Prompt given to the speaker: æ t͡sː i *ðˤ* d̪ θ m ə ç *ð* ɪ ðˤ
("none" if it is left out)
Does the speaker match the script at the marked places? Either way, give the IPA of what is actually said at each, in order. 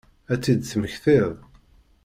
none, θ

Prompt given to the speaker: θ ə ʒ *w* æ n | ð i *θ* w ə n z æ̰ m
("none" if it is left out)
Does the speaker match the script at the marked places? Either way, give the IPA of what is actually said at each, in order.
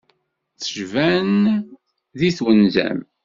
v, θ

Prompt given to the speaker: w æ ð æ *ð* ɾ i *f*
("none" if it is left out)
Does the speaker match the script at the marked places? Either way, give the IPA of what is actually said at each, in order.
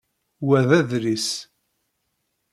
ð, s

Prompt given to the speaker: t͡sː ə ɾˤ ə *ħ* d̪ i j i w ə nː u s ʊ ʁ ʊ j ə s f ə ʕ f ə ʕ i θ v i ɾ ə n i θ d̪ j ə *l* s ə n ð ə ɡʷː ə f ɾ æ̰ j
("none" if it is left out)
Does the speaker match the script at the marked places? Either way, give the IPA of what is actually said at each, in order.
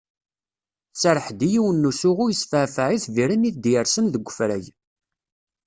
ħ, ɾ

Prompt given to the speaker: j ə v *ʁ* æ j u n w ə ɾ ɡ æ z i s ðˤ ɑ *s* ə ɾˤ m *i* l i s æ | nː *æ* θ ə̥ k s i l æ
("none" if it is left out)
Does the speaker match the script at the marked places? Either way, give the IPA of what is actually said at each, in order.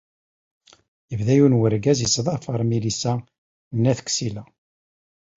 ð, f, i, æ

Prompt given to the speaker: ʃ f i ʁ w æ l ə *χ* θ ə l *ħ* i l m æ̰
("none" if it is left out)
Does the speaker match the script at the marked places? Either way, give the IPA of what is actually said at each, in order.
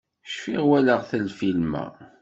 ʁ, f

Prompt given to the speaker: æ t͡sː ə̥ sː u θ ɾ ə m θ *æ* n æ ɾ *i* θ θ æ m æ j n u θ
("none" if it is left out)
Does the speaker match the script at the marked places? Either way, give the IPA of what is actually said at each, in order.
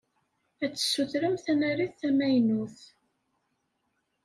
æ, i

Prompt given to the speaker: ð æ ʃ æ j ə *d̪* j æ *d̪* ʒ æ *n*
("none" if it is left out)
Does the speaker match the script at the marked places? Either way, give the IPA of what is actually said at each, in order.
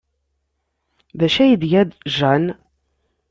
d̪, d̪, n

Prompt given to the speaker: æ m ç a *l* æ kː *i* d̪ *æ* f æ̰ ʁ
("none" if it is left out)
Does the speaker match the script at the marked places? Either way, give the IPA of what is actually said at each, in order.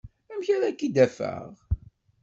ɾ, i, æ

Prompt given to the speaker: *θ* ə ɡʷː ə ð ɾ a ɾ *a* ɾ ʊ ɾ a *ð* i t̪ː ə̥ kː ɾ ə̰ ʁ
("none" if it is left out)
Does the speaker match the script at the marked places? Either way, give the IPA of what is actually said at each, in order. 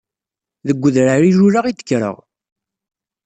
ð, i, ʁ

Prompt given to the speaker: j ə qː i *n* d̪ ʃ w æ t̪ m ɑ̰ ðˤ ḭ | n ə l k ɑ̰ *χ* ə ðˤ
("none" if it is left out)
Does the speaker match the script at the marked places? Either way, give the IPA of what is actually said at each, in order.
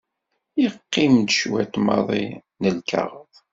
m, ʁ

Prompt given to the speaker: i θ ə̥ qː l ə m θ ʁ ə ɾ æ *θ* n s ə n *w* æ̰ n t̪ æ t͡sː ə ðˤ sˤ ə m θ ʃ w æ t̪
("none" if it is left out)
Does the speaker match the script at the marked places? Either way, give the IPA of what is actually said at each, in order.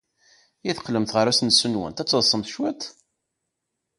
s, w

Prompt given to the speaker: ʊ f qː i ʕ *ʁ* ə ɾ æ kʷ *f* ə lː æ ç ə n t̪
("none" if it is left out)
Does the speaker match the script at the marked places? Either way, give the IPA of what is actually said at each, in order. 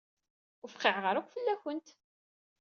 ʁ, f

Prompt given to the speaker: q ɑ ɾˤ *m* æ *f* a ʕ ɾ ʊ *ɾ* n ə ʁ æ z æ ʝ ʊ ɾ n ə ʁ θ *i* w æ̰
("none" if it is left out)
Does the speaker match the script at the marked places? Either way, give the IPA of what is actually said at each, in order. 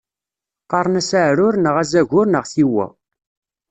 n, s, ɾ, i

